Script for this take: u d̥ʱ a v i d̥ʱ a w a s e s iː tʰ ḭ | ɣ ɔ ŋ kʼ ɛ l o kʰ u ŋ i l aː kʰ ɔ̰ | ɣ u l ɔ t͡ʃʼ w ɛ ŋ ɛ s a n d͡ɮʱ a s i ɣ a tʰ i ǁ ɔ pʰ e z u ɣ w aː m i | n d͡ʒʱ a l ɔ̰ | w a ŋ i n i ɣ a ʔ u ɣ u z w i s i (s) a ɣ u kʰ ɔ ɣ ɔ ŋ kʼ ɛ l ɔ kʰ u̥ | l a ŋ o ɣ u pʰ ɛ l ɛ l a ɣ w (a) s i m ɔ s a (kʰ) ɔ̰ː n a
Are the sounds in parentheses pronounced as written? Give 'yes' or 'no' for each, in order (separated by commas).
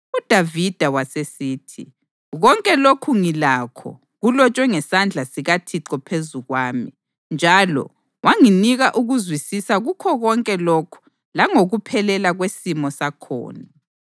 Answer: yes, no, yes